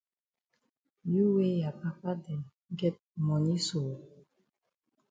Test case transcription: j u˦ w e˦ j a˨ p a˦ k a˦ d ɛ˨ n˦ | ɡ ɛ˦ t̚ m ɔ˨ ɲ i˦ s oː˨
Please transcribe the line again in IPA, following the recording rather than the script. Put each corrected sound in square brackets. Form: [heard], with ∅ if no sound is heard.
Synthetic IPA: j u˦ w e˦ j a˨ p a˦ [p] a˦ d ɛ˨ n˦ | ɡ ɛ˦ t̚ m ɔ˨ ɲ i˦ s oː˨